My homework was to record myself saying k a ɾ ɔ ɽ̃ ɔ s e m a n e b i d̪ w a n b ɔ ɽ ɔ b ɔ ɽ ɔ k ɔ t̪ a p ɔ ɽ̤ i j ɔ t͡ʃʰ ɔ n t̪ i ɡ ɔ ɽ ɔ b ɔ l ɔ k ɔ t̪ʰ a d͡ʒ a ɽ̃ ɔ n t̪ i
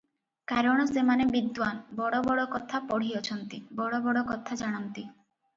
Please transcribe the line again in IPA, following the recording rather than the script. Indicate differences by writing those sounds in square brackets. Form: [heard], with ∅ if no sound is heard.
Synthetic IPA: k a ɾ ɔ ɽ̃ ɔ s e m a n e b i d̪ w a n b ɔ ɽ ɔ b ɔ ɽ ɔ k ɔ [t̪ʰ] a p ɔ ɽ̤ i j ɔ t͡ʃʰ ɔ n t̪ i [b] ɔ ɽ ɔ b ɔ [ɽ] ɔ k ɔ t̪ʰ a d͡ʒ a ɽ̃ ɔ n t̪ i